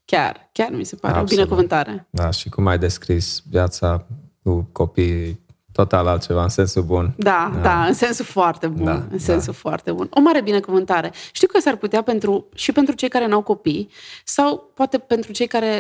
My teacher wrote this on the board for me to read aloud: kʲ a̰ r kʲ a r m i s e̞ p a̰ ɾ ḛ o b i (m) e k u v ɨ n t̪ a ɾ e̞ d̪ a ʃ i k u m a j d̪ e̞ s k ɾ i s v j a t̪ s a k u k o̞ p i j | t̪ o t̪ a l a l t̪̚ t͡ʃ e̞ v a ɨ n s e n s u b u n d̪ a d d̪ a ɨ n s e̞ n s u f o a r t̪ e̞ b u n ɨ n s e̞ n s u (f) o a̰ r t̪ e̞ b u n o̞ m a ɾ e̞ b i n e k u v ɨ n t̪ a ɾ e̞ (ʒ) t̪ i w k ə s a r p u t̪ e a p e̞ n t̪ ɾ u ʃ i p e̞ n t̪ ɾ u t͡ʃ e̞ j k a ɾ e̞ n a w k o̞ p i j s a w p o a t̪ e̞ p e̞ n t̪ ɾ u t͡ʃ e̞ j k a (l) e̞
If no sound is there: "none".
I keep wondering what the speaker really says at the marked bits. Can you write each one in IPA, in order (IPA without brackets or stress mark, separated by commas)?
n, f, ʃ, ɾ